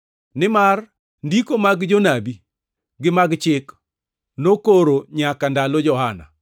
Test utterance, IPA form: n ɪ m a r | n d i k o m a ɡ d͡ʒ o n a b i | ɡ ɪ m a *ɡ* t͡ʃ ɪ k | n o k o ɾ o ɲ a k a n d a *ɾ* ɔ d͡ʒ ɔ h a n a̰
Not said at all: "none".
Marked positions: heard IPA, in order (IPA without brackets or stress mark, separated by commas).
ɡ, l